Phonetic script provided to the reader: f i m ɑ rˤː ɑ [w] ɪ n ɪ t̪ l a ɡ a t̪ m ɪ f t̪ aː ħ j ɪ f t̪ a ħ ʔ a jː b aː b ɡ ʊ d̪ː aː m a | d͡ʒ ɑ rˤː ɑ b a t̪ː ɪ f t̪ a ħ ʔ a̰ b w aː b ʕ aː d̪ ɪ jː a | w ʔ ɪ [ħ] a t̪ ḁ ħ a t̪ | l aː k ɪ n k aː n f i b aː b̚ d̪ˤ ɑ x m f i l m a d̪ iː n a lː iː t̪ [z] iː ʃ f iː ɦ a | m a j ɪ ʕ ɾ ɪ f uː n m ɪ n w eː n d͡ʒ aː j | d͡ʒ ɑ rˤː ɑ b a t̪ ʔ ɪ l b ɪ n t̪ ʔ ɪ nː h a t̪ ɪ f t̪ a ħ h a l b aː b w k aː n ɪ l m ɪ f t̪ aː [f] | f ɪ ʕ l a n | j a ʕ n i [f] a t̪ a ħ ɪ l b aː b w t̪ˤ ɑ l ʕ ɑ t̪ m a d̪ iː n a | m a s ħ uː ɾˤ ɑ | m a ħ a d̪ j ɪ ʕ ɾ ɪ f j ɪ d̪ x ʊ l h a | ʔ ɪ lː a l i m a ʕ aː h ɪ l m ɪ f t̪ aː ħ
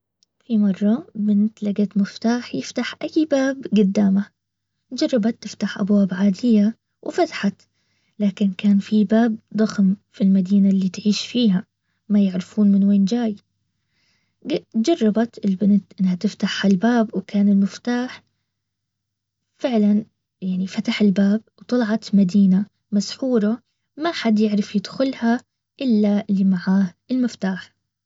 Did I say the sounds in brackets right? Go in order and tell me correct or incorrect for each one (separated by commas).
incorrect, incorrect, incorrect, incorrect, correct